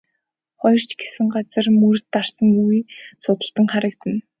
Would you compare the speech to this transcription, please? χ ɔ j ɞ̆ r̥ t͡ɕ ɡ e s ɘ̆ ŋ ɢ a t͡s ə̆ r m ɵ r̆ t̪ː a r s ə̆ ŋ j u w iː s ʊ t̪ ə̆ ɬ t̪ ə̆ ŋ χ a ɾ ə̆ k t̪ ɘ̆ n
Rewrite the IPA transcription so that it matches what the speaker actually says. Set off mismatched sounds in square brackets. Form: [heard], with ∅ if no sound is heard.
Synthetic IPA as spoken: χ ɔ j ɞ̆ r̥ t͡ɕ ɡ e s ɘ̆ ŋ ɢ a t͡s ə̆ r m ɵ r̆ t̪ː a r s ə̆ ŋ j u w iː s ʊ t̪ ə̆ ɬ t̪ ə̆ ŋ χ a ɾ ə̆ k t̪ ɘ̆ n